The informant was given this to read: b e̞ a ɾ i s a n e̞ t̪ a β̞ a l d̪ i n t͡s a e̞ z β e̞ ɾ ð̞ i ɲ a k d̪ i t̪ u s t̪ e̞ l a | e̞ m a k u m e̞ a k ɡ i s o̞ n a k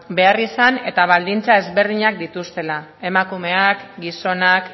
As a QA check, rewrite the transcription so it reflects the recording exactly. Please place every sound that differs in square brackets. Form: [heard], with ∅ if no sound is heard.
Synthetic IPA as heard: b e̞ a [r] i s a n e̞ t̪ a β̞ a l d̪ i n t͡s a e̞ z β e̞ ɾ ð̞ i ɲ a k d̪ i t̪ u s t̪ e̞ l a | e̞ m a k u m e̞ a k ɡ i s o̞ n a k